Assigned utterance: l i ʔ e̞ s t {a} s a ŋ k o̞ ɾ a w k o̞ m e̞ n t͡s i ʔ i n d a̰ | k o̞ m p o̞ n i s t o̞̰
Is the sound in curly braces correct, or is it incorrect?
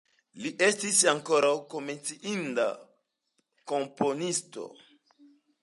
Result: incorrect